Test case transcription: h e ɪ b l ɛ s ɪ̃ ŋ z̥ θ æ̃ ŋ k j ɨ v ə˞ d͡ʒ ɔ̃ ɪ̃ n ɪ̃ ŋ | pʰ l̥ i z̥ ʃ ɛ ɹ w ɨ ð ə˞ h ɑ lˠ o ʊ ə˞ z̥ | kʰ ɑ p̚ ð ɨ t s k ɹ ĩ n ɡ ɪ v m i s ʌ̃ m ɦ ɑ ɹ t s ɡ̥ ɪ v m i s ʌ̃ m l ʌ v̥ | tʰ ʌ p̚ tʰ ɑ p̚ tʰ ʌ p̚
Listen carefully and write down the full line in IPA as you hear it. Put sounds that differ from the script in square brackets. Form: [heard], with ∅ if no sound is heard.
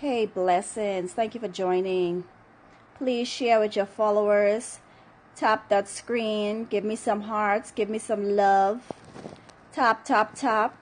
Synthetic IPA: h e ɪ b l ɛ s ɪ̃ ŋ z̥ θ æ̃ ŋ k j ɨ [f] ə˞ d͡ʒ ɔ̃ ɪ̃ n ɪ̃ ŋ | pʰ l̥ i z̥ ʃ ɛ ɹ w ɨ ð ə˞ [f] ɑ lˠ o ʊ ə˞ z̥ | [tʰ] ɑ p̚ ð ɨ t s k ɹ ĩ n ɡ ɪ v m i s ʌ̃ m ɦ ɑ ɹ t s ɡ̥ ɪ v m i s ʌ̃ m l ʌ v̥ | tʰ [ɑ] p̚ tʰ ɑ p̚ tʰ [ɑ] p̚